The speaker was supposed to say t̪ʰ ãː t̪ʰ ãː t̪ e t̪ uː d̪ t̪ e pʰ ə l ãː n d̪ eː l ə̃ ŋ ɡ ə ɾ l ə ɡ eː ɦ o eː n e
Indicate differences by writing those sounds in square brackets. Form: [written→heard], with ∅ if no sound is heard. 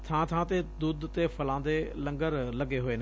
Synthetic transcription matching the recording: t̪ʰ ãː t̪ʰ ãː t̪ e [t̪→d̪] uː d̪ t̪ e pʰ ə l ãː n d̪ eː l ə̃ ŋ ɡ ə ɾ l ə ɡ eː ɦ o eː n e